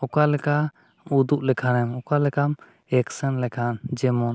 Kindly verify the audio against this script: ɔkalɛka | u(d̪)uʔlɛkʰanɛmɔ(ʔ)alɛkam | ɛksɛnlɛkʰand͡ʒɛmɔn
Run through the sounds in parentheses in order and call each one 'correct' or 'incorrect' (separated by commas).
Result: correct, incorrect